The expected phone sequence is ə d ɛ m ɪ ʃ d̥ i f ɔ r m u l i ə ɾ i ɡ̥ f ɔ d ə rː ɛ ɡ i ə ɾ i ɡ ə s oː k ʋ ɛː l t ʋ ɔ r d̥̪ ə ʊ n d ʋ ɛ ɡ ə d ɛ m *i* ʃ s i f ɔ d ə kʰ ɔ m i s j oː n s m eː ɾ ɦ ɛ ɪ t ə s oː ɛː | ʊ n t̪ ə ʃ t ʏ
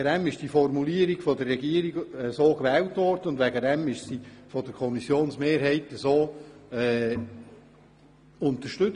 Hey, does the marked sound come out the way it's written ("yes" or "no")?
no